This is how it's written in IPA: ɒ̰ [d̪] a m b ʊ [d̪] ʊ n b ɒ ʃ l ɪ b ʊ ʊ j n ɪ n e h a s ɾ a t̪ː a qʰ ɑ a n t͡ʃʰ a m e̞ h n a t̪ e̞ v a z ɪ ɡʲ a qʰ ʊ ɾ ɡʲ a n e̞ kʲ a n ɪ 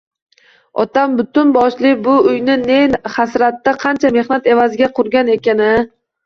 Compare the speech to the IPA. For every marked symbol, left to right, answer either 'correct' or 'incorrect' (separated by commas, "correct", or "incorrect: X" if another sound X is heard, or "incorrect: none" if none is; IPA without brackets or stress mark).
incorrect: t̪, incorrect: t̪